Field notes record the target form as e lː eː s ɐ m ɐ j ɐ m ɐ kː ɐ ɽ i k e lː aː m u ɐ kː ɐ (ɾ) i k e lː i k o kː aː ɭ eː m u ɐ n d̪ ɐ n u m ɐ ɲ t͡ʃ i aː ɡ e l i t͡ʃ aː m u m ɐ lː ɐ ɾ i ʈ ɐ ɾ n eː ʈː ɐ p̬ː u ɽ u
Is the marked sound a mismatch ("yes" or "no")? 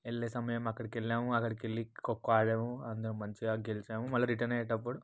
yes